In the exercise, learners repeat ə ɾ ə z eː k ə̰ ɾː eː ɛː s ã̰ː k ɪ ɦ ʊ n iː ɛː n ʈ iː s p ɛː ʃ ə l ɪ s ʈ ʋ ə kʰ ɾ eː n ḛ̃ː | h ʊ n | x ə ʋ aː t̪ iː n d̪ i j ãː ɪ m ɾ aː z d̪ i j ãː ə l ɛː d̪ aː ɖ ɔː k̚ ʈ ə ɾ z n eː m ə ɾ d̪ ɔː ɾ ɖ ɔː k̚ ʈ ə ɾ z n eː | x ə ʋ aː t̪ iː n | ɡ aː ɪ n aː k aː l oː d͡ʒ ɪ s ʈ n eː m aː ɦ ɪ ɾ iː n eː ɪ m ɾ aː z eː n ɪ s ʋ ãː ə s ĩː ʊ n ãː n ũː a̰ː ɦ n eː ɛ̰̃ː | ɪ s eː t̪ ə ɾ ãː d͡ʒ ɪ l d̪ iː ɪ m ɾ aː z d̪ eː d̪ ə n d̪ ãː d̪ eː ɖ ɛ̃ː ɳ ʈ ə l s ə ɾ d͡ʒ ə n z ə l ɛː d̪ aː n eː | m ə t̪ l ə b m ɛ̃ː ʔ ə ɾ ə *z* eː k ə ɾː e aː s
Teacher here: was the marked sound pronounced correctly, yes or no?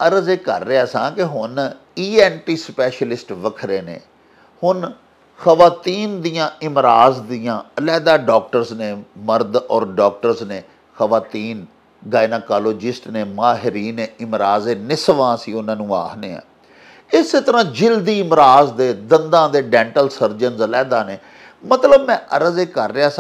yes